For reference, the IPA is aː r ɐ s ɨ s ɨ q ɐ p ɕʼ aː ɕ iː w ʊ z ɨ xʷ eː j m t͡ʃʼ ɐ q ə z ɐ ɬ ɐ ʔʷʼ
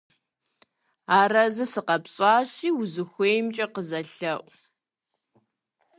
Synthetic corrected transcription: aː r ɐ z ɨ s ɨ q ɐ p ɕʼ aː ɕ iː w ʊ z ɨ xʷ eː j m t͡ʃʼ ɐ q ə z ɐ ɬ ɐ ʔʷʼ